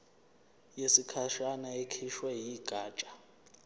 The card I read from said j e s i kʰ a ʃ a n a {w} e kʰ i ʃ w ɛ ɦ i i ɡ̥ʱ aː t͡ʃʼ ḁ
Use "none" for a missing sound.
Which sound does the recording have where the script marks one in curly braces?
none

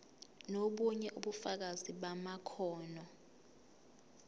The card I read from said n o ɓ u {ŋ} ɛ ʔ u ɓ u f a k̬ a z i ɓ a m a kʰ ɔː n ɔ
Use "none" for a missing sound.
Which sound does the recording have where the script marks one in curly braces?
ɲ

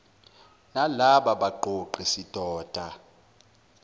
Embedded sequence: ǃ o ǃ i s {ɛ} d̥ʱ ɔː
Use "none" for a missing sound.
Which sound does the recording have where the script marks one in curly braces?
i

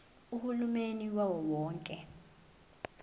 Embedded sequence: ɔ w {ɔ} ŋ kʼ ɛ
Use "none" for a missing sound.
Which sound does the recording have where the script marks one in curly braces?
ɔː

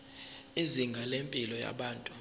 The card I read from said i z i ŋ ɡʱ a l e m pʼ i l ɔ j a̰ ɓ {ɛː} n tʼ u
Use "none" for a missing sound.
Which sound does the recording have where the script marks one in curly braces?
aː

